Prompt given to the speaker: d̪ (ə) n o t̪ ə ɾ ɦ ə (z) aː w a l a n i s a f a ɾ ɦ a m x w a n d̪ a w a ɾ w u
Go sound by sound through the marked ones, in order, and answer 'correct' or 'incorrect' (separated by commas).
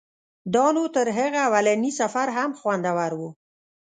incorrect, incorrect